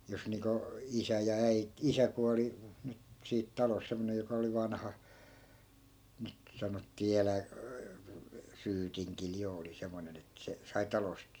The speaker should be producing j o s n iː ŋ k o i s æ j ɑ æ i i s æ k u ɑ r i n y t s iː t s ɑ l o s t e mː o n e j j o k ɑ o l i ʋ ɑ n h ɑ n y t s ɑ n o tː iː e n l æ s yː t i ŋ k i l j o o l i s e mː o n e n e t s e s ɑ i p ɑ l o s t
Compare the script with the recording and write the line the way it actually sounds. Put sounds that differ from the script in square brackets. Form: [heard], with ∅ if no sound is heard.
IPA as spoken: j o s n iː ŋ k o i s æ j ɑ æ i i s æ k u ɑ [l] i n y t s iː t [t] ɑ l o s [s] e mː o n e j j o k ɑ o l i ʋ ɑ n h ɑ n y t s ɑ n o tː iː e [∅] l æ s yː t i ŋ k i l j o o l i s e mː o n e n e t s e s ɑ i [t] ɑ l o s t